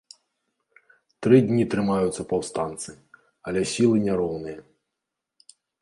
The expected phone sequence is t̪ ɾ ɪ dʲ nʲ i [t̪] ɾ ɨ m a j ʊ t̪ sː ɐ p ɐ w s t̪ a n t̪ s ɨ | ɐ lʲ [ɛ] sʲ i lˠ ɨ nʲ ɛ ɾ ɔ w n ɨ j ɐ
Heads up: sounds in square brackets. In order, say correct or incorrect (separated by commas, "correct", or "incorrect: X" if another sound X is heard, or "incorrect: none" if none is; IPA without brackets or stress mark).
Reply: correct, correct